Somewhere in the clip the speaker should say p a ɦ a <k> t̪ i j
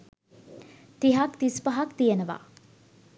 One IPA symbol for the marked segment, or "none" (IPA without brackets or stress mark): k